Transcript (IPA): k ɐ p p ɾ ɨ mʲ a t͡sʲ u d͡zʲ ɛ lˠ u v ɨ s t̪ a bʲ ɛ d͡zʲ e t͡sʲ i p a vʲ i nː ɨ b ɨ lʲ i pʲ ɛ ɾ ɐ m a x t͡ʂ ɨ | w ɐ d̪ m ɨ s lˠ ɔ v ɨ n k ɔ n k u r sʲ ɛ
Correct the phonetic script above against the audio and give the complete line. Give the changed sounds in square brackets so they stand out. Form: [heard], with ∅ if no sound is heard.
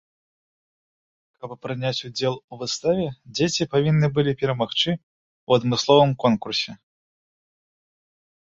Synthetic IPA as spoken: k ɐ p p ɾ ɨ [nʲ] a t͡sʲ u d͡zʲ ɛ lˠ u v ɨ s t̪ a [vʲ] ɛ d͡zʲ e t͡sʲ i p a vʲ i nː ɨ b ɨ lʲ i pʲ ɛ ɾ ɐ m a x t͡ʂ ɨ | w ɐ d̪ m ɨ s lˠ ɔ v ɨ [m] k ɔ n k u r sʲ ɛ